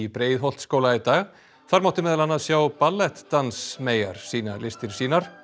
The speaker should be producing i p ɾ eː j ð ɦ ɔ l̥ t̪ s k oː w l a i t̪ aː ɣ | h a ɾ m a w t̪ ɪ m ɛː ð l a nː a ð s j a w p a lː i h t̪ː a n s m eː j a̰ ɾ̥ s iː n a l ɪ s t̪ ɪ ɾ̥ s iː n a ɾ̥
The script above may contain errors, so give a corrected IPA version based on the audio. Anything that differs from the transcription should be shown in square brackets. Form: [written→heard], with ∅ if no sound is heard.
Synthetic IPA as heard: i p ɾ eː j ð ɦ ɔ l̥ t̪ s k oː w l a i t̪ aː ɣ | [h→θ] a ɾ m a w t̪ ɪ m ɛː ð l a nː a ð s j a w p a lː [i→ɛ] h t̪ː a n s m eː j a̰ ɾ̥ s iː n a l ɪ s t̪ ɪ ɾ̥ s iː n a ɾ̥